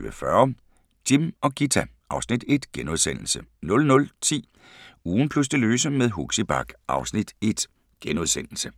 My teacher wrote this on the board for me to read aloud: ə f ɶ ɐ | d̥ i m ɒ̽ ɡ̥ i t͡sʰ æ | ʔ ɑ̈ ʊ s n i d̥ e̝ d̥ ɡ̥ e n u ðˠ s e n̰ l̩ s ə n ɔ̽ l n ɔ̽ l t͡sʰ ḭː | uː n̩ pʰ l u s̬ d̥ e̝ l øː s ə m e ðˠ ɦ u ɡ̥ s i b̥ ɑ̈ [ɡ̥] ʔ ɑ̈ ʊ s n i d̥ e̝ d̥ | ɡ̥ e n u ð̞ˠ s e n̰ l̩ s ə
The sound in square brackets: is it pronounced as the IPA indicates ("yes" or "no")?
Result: yes